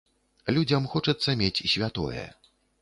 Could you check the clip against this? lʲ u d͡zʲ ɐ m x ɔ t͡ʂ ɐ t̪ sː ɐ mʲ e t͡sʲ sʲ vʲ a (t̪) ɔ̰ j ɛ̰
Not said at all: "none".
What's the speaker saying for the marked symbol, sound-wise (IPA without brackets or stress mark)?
t̪